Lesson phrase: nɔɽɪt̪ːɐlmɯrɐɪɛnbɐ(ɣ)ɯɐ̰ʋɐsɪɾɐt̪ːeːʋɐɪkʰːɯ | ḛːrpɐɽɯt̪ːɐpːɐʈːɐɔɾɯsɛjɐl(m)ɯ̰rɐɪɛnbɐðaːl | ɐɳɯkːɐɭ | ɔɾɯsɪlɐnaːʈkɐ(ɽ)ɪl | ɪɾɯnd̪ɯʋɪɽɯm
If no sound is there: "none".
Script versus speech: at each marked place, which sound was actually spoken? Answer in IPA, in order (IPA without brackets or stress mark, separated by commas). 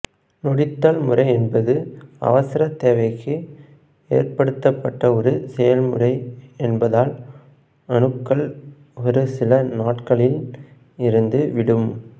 ð, m, ɭ